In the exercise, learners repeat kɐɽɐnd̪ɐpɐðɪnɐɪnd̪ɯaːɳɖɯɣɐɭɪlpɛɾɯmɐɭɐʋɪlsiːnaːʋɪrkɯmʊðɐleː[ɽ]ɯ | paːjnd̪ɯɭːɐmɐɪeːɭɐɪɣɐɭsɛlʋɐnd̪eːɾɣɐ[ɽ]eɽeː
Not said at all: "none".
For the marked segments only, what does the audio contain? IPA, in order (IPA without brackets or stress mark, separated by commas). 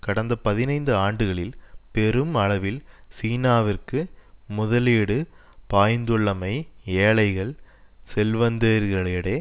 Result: ɽ, ɭ